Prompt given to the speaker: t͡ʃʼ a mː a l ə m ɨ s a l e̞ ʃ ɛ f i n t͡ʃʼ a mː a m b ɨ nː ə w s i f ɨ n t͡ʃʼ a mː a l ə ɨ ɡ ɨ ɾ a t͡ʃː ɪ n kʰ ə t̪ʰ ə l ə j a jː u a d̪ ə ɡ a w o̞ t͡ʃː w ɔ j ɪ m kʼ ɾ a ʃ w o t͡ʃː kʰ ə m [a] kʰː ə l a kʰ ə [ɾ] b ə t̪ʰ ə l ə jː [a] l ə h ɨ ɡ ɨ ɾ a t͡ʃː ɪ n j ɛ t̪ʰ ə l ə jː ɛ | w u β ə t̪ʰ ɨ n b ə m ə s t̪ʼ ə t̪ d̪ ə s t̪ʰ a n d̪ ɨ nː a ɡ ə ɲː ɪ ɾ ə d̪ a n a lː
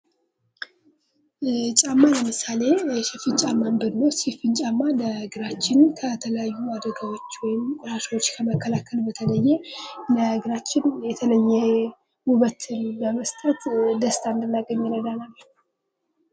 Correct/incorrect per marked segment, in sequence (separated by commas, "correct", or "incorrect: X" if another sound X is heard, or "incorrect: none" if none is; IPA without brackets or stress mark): incorrect: ə, incorrect: l, incorrect: ɛ